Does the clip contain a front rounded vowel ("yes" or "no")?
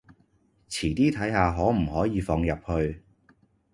no